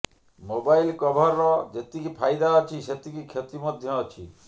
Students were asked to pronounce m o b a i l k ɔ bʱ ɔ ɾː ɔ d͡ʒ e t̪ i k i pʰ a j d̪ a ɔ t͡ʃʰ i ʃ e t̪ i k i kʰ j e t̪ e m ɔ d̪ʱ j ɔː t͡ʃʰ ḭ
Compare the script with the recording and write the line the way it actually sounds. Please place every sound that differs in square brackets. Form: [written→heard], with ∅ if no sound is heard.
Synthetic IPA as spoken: m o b a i l k ɔ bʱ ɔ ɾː ɔ d͡ʒ e t̪ i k i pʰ a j d̪ a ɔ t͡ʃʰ i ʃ e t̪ i k i kʰ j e t̪ [e→i] m ɔ d̪ʱ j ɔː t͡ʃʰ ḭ